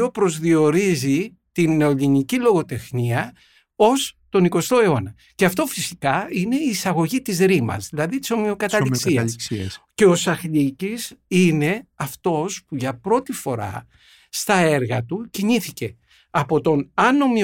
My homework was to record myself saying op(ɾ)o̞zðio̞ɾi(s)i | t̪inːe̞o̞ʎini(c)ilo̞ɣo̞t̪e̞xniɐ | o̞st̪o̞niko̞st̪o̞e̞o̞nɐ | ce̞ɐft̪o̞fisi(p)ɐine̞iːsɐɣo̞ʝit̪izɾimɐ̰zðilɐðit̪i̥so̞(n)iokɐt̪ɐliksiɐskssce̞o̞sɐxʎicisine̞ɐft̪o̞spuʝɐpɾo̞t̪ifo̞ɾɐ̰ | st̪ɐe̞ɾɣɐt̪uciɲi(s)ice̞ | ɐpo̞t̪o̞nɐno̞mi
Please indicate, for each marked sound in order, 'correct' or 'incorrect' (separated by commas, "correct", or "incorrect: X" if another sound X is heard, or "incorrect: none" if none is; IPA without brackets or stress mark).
correct, incorrect: z, correct, incorrect: k, incorrect: m, incorrect: θ